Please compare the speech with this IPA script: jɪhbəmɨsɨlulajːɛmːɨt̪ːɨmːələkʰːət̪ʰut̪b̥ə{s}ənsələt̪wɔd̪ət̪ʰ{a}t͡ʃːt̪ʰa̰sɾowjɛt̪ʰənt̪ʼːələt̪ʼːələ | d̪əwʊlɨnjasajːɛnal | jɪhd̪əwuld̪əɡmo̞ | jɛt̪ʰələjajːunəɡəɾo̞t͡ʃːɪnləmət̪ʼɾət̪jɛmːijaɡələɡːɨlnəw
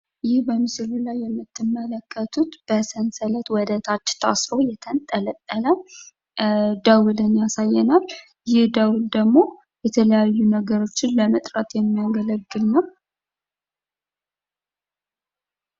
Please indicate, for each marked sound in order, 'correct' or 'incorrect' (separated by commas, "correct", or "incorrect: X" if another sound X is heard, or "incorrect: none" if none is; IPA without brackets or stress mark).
correct, correct